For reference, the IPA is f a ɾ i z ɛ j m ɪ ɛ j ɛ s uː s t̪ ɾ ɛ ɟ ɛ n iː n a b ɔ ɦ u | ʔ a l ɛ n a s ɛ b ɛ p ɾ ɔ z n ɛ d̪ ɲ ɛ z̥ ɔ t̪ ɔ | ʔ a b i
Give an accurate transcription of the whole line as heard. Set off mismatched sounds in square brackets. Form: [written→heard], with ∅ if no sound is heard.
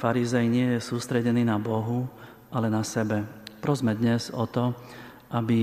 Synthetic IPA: f a ɾ i z ɛ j [m→ɲ] ɪ ɛ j ɛ s uː s t̪ ɾ ɛ ɟ ɛ n iː n a b ɔ ɦ u | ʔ a l ɛ n a s ɛ b ɛ p ɾ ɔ z [n→m] ɛ d̪ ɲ ɛ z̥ ɔ t̪ ɔ | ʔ a b i